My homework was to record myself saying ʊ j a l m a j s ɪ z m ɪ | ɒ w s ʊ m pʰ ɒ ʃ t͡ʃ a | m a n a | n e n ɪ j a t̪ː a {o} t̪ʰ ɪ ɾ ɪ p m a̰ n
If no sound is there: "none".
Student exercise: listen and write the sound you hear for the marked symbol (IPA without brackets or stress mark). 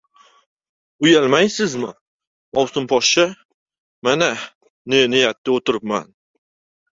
o